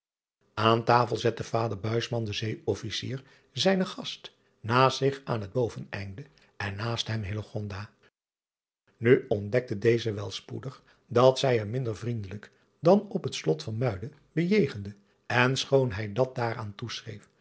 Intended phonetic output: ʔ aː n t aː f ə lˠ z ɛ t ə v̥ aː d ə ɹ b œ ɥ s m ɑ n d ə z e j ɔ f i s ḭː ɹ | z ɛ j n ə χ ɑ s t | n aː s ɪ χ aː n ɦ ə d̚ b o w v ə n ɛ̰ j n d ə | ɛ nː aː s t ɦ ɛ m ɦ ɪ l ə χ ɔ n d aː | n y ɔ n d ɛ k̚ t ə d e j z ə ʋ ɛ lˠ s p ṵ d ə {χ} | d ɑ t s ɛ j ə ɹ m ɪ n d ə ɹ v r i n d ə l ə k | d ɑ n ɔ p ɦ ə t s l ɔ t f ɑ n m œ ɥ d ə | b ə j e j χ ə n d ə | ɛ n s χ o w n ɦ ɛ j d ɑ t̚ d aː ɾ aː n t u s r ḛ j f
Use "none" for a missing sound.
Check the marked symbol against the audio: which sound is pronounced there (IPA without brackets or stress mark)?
χ